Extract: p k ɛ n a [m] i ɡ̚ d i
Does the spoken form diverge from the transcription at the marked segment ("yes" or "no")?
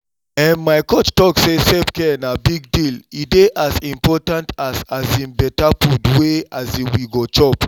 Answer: yes